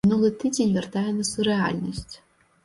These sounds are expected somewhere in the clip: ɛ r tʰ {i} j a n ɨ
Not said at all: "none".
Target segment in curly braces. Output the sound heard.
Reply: a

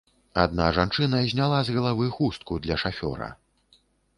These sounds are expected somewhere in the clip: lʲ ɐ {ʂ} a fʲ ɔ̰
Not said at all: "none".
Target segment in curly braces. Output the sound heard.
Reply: ʂ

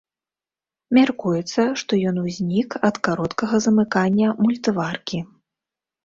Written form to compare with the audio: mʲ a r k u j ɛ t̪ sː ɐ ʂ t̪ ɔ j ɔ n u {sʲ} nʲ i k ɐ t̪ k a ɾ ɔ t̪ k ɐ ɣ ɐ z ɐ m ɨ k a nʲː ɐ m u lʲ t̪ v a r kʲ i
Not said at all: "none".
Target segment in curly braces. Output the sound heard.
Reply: zʲ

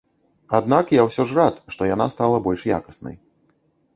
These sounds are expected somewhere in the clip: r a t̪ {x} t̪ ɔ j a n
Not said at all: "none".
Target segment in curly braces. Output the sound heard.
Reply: ʂ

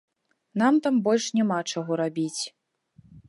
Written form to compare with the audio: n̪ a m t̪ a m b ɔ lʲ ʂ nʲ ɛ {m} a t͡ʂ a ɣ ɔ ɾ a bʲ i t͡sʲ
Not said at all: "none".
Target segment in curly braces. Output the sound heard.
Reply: m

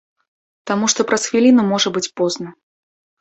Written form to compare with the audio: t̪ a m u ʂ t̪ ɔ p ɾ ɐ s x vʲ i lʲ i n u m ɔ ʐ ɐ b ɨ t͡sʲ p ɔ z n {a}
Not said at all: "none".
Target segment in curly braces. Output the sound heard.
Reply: ɐ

